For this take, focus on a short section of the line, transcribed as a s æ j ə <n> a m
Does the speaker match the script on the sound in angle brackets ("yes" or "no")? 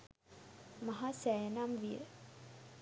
yes